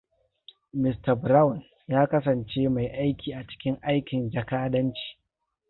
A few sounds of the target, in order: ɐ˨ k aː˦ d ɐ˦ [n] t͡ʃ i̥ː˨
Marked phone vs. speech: correct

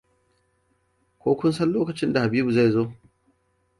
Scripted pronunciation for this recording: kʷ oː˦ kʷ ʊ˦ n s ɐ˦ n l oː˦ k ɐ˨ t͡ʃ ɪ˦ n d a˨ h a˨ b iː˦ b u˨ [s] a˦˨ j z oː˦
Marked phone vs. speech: incorrect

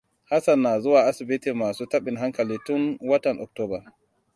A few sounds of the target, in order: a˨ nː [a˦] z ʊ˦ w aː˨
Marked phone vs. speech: incorrect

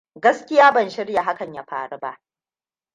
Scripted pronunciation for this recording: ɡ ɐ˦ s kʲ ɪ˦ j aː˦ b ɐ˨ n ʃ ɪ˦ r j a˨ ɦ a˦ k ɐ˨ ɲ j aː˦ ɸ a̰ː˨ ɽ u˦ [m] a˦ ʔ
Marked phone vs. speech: incorrect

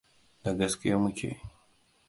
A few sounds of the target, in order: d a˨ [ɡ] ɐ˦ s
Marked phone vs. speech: correct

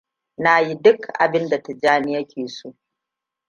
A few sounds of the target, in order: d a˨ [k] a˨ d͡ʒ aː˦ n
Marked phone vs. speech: incorrect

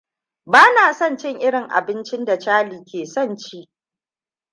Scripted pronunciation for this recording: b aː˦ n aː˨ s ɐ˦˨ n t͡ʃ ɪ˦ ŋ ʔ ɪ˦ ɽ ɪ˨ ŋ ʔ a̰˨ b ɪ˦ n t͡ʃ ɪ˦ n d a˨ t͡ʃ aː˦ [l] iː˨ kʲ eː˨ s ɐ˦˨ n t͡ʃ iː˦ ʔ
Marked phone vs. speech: correct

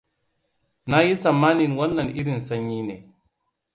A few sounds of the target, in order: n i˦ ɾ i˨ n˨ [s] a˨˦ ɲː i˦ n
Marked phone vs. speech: correct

